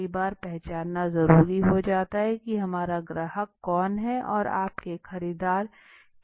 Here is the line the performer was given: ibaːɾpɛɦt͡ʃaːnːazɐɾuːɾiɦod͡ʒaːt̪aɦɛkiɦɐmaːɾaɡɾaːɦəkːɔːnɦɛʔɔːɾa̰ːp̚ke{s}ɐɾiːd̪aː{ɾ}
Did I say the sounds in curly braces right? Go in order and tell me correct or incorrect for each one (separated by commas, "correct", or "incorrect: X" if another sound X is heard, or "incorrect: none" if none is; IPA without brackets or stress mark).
incorrect: x, correct